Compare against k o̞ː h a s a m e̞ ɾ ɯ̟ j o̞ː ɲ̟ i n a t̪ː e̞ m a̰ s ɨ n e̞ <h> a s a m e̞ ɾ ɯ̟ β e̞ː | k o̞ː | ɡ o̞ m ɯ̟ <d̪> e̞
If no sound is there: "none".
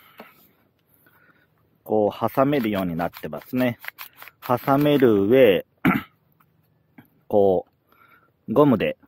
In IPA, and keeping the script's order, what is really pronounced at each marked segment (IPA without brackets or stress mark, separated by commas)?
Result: h, d̪